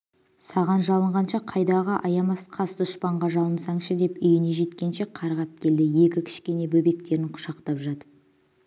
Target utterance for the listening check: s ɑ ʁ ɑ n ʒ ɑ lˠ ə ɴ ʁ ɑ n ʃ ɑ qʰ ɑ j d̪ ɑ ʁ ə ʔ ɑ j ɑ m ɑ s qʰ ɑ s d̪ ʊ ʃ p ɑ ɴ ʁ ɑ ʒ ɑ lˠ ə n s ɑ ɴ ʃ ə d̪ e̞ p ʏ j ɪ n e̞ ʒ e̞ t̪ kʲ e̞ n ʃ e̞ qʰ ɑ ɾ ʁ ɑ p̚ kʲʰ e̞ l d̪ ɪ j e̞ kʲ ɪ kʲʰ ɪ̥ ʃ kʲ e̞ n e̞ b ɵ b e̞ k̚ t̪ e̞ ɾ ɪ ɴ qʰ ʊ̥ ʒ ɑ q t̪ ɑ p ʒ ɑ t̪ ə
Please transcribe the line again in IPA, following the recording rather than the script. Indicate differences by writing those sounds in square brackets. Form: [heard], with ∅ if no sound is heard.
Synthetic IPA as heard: s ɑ ʁ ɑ n ʒ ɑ lˠ ə ɴ ʁ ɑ n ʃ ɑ qʰ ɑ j d̪ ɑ ʁ ə ʔ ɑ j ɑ m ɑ s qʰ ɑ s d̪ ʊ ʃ p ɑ ɴ ʁ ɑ ʒ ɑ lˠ ə n s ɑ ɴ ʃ ə d̪ e̞ p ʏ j ɪ n e̞ ʒ e̞ t̪ kʲ e̞ n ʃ e̞ qʰ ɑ ɾ ʁ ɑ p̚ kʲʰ e̞ l d̪ ɪ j e̞ kʲ ɪ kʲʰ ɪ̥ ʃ kʲ e̞ n e̞ b ɵ b e̞ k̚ t̪ e̞ ɾ ɪ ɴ qʰ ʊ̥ [ʃ] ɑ q t̪ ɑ p ʒ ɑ t̪ ə